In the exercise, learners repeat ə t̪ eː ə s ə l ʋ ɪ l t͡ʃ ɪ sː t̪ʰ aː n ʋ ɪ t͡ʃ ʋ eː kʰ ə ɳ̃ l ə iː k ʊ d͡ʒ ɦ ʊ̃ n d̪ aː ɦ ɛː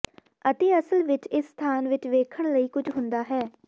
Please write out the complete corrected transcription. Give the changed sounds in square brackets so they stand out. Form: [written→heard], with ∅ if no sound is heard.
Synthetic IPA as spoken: ə t̪ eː ə s ə l ʋ ɪ [l→∅] t͡ʃ ɪ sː t̪ʰ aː n ʋ ɪ t͡ʃ ʋ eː kʰ ə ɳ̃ l ə iː k ʊ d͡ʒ ɦ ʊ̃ n d̪ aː ɦ ɛː